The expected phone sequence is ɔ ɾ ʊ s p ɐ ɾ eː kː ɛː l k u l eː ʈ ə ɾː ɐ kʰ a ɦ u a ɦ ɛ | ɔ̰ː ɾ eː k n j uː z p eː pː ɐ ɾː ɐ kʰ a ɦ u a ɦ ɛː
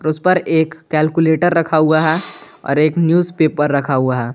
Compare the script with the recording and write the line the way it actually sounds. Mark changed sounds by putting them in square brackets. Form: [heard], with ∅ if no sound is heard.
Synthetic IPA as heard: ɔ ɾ ʊ s p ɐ ɾ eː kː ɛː l k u l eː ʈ ə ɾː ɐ kʰ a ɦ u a ɦ ɛ | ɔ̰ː ɾ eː k n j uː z p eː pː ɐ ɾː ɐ kʰ a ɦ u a ɦ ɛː